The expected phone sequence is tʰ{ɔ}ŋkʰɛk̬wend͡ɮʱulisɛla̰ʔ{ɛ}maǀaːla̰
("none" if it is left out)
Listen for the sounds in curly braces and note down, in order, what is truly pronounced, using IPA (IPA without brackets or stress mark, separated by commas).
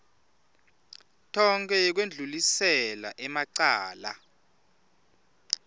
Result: ɔ, ɛ